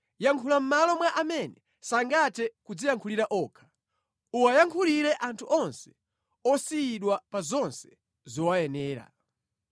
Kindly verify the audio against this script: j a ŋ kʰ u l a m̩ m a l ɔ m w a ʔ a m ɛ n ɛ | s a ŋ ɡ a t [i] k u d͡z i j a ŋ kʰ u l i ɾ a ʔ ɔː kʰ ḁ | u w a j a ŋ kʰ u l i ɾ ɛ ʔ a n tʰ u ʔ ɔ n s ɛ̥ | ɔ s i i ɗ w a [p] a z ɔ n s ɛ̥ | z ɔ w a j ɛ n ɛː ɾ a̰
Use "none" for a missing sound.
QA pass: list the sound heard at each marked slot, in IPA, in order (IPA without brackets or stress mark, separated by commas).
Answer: ɛ, p